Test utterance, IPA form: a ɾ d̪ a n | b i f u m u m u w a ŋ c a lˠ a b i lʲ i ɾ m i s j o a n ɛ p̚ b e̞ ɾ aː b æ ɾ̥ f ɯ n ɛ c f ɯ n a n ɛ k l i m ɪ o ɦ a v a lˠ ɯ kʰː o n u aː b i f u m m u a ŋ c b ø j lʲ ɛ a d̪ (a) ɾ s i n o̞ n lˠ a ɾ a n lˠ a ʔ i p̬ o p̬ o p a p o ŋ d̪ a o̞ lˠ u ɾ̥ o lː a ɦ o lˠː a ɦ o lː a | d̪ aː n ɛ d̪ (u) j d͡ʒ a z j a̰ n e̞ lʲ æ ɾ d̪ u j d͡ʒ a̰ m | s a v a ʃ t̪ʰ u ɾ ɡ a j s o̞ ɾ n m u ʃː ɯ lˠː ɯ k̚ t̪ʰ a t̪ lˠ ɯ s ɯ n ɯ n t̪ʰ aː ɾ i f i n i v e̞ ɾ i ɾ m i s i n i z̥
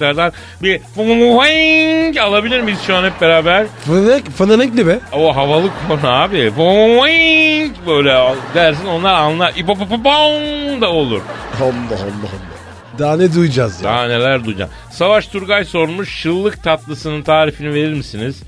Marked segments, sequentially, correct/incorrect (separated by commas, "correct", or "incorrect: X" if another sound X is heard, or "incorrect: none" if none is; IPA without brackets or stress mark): incorrect: æ, correct